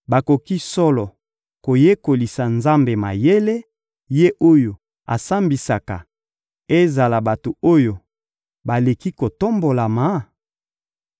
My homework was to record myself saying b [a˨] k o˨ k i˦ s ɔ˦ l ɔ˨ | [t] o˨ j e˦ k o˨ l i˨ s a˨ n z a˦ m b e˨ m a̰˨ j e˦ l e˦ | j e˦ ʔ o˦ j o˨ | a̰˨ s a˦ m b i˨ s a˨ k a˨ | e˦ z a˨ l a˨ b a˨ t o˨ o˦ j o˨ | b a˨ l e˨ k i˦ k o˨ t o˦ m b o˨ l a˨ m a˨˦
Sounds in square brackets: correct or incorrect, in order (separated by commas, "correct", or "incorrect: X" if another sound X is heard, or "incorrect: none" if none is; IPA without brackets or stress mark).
correct, incorrect: k